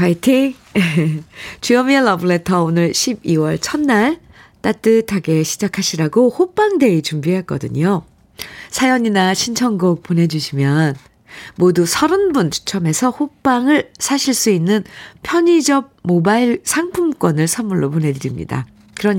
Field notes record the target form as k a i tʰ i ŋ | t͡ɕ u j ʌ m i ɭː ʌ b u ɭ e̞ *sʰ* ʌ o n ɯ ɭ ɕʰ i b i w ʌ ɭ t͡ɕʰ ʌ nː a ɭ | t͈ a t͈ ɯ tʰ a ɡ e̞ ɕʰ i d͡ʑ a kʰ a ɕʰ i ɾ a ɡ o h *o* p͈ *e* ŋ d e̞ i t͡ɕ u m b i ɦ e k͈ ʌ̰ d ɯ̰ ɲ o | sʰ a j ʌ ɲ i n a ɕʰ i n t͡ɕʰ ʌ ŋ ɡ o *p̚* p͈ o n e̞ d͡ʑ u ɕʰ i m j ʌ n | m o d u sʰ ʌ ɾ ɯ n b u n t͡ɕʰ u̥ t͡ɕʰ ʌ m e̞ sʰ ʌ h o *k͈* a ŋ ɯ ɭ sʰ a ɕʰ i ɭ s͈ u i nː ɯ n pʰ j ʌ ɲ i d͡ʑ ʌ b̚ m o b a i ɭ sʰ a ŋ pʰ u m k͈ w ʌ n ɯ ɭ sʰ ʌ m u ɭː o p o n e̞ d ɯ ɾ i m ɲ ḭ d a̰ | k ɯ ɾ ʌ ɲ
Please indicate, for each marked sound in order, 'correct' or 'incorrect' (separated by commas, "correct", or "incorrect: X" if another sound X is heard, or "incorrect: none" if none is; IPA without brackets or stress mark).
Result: incorrect: tʰ, correct, incorrect: a, incorrect: k̚, incorrect: p͈